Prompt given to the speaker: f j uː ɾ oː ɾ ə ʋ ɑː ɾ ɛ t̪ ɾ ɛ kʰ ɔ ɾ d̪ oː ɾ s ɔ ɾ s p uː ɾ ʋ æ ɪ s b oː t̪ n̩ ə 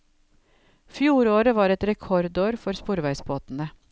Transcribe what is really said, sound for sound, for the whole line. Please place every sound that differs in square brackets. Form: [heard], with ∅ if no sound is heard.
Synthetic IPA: f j uː ɾ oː ɾ ə ʋ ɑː ɾ ɛ t̪ ɾ ɛ kʰ ɔ ɾ d̪ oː ɾ [f] ɔ ɾ s p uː ɾ ʋ æ ɪ s b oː t̪ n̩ ə